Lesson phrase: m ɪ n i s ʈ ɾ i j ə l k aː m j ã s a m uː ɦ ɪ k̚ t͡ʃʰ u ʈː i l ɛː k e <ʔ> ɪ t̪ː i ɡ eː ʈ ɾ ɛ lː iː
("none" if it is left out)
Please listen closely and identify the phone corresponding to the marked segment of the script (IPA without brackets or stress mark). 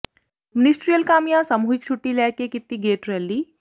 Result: k